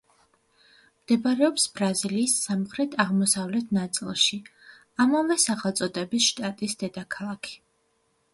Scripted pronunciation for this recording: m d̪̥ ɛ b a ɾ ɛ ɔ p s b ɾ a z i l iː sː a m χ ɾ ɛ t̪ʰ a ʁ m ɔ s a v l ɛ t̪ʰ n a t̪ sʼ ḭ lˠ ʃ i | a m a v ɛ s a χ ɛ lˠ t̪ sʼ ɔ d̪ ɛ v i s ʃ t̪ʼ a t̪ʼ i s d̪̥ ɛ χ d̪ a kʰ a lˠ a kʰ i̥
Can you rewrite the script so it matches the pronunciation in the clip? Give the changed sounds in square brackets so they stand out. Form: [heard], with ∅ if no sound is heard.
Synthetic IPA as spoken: m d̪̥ ɛ b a ɾ ɛ ɔ p s b ɾ a z i l iː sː a m χ ɾ ɛ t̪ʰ a ʁ m ɔ s a v l ɛ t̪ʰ n a t̪ sʼ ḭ lˠ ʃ i | a m a v ɛ s a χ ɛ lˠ t̪ sʼ ɔ d̪ ɛ [b] i s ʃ t̪ʼ a t̪ʼ i s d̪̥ ɛ [∅] d̪ a kʰ a lˠ a kʰ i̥